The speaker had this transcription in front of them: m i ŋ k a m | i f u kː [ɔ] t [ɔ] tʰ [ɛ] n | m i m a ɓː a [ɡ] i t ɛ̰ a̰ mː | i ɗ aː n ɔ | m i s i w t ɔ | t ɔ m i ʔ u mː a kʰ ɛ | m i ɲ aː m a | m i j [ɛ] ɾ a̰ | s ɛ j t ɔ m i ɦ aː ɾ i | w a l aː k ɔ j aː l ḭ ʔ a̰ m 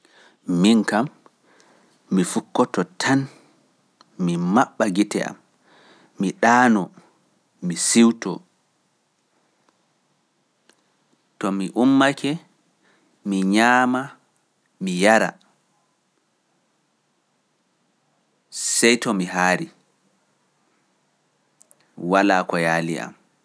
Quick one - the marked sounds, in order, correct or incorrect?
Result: correct, correct, incorrect: a, correct, incorrect: a

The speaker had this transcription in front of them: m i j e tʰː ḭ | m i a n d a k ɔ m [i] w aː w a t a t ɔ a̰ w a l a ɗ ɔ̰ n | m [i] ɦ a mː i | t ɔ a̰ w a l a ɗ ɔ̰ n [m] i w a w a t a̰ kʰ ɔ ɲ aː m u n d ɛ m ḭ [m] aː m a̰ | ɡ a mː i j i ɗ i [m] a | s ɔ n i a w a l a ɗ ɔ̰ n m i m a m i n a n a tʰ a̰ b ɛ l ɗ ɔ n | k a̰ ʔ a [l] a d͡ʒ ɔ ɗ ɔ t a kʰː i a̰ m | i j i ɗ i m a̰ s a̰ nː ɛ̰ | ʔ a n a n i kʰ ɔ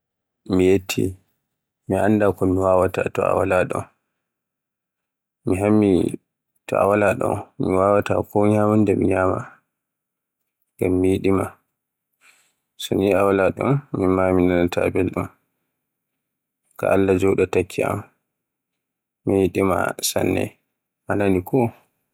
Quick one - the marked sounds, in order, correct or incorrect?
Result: correct, correct, correct, incorrect: ɲ, correct, incorrect: lː

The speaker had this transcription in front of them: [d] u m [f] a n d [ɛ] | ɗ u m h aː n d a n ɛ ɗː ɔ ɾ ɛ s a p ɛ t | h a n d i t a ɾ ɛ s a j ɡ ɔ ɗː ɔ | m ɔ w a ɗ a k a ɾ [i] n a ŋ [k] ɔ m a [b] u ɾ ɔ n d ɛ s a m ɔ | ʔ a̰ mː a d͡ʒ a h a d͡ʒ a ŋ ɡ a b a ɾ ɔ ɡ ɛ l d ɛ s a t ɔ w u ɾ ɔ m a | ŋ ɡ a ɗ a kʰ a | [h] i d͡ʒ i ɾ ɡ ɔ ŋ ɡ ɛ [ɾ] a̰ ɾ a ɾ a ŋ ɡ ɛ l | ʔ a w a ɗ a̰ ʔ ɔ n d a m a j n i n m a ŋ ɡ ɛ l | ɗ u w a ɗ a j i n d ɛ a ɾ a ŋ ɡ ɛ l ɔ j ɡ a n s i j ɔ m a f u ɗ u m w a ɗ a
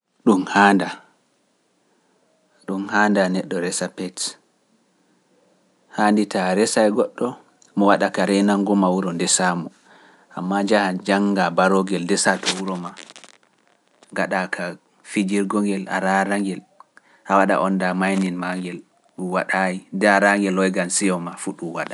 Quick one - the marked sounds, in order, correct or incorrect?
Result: incorrect: ɗ, incorrect: h, incorrect: a, incorrect: ɛ, incorrect: ɡ, incorrect: w, incorrect: f, incorrect: l

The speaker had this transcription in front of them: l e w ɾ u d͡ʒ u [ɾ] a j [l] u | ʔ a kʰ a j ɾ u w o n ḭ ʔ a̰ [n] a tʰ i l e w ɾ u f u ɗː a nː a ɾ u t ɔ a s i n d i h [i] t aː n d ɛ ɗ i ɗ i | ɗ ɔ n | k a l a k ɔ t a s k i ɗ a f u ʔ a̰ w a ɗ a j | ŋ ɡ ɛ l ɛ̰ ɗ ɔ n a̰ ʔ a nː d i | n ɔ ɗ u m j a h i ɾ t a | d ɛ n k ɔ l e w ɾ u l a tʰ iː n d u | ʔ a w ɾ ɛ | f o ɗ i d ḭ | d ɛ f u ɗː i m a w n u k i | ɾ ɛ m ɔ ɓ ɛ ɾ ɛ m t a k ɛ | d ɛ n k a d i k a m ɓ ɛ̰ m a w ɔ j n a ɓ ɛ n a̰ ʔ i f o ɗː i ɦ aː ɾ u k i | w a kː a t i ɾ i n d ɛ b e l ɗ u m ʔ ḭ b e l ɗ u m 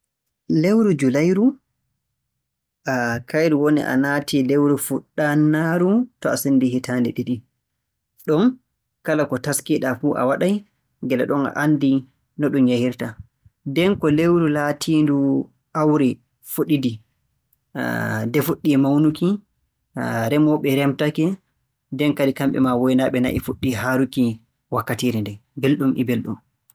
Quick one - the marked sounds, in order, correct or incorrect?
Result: incorrect: l, incorrect: ɾ, correct, correct

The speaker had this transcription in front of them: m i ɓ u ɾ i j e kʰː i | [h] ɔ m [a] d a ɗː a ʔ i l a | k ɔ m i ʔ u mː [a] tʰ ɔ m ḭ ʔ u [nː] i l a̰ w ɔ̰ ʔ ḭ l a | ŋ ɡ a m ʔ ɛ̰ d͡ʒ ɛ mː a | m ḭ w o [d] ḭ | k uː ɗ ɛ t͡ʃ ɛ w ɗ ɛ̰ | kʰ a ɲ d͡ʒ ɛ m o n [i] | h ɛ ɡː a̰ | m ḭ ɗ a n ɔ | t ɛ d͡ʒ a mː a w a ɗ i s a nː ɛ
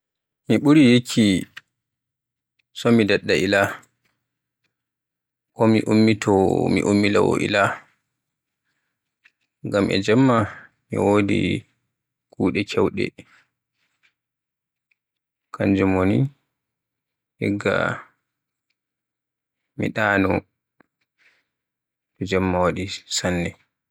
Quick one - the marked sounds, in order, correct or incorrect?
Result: incorrect: s, incorrect: i, incorrect: i, incorrect: mː, correct, correct

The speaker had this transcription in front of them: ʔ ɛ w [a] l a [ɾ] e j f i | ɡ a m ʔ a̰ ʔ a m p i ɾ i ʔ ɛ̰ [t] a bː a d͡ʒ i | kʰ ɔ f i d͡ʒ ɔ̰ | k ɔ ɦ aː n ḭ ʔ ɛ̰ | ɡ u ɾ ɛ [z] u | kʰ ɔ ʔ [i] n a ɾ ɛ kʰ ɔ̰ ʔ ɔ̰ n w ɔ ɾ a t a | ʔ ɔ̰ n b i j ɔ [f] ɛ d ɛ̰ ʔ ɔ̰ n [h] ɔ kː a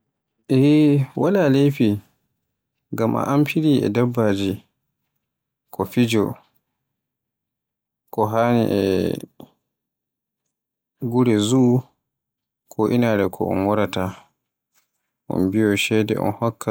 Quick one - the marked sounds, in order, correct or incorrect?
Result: correct, incorrect: l, incorrect: d, correct, correct, incorrect: ʃ, correct

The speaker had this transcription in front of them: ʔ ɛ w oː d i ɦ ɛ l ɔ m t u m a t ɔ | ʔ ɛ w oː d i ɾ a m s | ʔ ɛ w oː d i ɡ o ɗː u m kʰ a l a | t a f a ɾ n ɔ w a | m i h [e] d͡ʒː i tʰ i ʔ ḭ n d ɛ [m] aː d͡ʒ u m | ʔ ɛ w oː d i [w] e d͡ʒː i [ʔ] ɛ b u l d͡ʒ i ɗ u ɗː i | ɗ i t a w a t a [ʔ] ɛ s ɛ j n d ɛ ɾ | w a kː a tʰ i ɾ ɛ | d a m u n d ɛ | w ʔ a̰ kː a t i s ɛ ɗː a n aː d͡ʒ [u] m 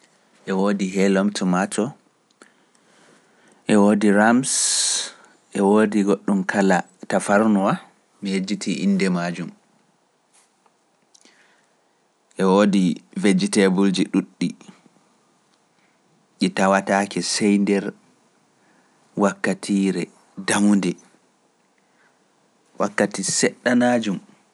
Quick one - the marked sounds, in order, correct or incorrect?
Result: correct, correct, incorrect: v, incorrect: t, incorrect: k, correct

